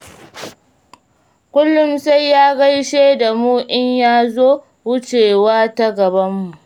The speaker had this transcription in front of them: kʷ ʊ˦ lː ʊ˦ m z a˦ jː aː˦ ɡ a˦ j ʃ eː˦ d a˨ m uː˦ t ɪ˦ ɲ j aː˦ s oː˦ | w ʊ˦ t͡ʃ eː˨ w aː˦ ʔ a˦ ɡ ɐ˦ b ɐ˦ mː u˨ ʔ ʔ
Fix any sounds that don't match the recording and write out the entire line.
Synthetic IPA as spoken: kʷ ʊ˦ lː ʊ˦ m s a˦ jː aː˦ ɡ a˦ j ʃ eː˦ d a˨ m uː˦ ʔ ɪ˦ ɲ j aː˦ z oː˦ | w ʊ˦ t͡ʃ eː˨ w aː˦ t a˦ ɡ ɐ˨ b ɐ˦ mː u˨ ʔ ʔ